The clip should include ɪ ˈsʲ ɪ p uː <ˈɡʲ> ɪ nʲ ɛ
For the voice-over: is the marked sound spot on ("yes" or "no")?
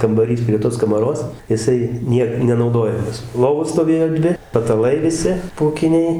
no